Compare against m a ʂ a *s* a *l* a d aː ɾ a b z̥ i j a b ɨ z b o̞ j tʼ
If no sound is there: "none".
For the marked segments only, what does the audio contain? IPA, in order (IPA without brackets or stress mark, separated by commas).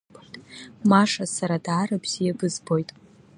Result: s, ɾ